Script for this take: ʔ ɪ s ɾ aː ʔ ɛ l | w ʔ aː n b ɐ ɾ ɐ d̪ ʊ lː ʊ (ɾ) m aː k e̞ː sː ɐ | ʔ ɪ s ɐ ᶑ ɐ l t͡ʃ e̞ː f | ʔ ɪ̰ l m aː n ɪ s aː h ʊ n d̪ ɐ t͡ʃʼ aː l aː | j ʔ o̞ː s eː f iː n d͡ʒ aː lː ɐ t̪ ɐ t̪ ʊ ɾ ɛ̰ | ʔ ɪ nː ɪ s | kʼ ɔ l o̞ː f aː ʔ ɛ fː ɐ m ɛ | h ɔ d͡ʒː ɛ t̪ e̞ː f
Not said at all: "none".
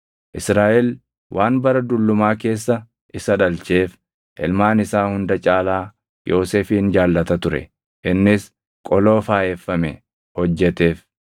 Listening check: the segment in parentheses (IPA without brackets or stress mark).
none